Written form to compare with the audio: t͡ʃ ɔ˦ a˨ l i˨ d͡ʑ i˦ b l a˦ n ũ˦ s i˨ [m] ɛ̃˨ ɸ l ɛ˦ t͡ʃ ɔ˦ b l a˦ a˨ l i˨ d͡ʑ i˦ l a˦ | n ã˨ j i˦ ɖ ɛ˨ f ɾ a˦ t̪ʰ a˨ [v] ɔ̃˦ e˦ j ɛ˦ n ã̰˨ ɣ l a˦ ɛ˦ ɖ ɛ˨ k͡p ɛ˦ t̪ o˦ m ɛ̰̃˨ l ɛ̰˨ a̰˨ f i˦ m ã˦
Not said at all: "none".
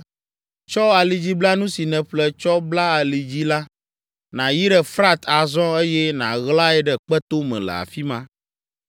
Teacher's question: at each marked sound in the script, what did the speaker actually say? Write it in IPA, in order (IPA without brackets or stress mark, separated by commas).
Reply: n, z